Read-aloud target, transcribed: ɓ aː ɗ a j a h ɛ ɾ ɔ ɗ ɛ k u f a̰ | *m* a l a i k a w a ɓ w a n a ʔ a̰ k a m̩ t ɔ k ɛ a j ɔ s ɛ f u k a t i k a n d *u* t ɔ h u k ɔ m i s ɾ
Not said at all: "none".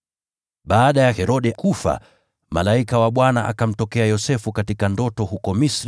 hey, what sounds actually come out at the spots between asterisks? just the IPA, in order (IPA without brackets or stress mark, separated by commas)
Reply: m, ɔ